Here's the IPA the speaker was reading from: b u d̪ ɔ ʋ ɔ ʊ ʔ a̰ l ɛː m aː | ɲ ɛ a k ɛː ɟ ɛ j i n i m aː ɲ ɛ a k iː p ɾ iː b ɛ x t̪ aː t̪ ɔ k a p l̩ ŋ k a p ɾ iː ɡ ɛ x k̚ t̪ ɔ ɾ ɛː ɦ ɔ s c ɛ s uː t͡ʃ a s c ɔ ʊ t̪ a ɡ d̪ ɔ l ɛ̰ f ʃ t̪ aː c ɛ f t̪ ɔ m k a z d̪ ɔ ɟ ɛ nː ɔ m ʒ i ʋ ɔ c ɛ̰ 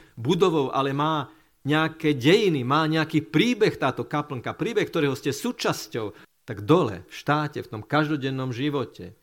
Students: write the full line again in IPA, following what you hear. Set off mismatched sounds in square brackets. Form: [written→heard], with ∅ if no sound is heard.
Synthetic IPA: b u d̪ ɔ ʋ ɔ ʊ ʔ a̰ l [ɛː→ɛ] m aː | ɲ ɛ a k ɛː ɟ ɛ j i n i m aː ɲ ɛ a k iː p ɾ iː b ɛ x t̪ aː t̪ ɔ k a p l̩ ŋ k a p ɾ iː [ɡ→b] ɛ x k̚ t̪ ɔ ɾ ɛː ɦ ɔ s c ɛ s uː t͡ʃ a s c ɔ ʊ t̪ a ɡ d̪ ɔ l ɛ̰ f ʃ t̪ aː c ɛ f t̪ ɔ m k a [z→ʒ] d̪ ɔ ɟ ɛ nː ɔ m ʒ i ʋ ɔ c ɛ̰